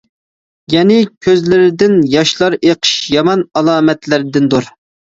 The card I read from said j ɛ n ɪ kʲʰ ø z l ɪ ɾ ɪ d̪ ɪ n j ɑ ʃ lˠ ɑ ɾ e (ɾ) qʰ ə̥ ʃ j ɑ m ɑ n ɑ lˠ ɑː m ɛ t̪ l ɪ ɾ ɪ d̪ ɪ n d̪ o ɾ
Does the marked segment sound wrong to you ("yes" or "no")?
yes